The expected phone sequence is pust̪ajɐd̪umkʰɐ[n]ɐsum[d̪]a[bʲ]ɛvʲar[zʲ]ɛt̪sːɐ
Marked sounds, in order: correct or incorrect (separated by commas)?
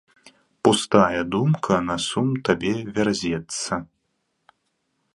correct, incorrect, correct, correct